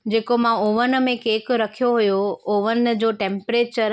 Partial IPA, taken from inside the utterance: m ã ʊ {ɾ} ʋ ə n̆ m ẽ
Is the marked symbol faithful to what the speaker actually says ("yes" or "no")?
no